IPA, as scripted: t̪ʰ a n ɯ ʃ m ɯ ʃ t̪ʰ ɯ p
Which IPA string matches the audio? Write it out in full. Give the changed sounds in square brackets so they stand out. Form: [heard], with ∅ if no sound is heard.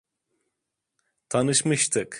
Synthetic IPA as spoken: t̪ʰ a n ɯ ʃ m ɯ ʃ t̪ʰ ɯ [k]